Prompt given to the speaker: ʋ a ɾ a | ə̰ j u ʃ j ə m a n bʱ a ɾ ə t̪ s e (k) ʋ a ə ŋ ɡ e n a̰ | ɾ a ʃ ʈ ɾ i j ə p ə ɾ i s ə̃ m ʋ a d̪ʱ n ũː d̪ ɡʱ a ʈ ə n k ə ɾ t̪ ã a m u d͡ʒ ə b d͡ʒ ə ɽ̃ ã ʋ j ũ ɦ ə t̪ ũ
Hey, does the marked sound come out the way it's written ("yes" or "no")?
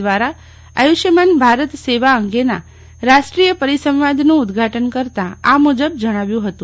no